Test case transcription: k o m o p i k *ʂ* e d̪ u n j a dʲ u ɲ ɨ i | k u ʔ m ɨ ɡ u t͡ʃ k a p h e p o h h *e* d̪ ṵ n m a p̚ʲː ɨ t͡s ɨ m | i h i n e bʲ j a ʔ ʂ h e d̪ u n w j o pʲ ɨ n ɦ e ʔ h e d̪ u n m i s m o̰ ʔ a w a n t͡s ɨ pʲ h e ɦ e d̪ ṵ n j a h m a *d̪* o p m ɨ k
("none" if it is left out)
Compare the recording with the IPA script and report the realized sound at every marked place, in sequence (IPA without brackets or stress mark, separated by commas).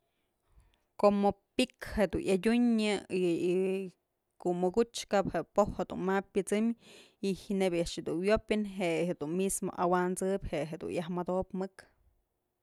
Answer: h, e, d̪